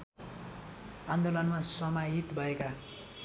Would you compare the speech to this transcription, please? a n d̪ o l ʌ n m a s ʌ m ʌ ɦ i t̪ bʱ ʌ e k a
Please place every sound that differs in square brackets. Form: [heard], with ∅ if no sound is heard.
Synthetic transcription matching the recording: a n d̪ o l ʌ n m a s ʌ m [a] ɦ i t̪ bʱ ʌ e k a